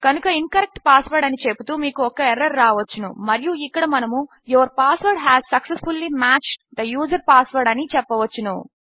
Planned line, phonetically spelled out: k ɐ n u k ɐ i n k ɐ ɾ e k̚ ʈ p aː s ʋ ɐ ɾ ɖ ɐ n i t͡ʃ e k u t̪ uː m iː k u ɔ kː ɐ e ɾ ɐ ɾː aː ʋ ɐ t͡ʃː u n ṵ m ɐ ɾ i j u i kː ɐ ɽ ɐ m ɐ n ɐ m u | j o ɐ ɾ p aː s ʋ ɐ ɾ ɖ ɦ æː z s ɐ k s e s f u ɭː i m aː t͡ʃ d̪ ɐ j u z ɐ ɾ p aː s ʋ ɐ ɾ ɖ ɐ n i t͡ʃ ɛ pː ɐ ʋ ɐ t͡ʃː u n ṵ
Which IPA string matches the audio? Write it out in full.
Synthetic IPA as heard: k ɐ n u k ɐ i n k ɐ ɾ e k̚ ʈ p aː s ʋ ɐ ɾ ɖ ɐ n i t͡ʃ e p u t̪ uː m iː k u ɔ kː ɐ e ɾ ɐ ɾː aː ʋ ɐ t͡ʃː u n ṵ m ɐ ɾ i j u i kː ɐ ɽ ɐ m ɐ n ɐ m u | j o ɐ ɾ p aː s ʋ ɐ ɾ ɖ ɦ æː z s ɐ k s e s f u lː i m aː t͡ʃ d̪ ɐ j uː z ɐ ɾ p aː s ʋ ɐ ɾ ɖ ɐ n i t͡ʃ ɛ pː ɐ ʋ ɐ t͡ʃː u n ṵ